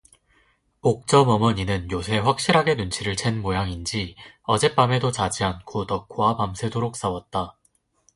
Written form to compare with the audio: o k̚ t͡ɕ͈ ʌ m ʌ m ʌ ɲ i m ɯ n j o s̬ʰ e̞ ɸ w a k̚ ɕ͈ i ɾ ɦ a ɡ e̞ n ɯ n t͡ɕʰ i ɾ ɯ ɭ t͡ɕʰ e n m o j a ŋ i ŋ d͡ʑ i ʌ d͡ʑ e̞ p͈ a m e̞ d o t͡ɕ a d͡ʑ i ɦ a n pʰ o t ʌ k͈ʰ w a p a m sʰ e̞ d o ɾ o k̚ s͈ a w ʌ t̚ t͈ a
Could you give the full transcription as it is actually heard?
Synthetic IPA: o k̚ t͡ɕ͈ ʌ m ʌ m ʌ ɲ i n ɯ n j o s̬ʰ e̞ ɸ w a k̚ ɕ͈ i ɾ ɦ a ɡ e̞ n u n t͡ɕʰ i ɾ ɯ ɭ t͡ɕʰ e n m o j a ŋ i n d͡ʑ i ʌ d͡ʑ e̞ p͈ a m e̞ d o t͡ɕ a d͡ʑ i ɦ a n kʰ o t ʌ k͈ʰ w a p a m sʰ e̞ d o ɾ o k̚ s͈ a w ʌ t̚ t͈ a